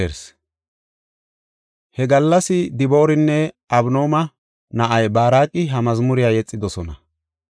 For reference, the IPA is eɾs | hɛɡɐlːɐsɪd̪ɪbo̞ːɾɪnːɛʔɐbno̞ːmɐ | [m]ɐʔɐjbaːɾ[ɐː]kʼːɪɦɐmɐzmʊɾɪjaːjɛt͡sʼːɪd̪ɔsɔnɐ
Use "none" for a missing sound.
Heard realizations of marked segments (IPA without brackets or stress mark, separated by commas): n, aː